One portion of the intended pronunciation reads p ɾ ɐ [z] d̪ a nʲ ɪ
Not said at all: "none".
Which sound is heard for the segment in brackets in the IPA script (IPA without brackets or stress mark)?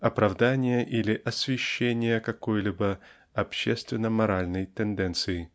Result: v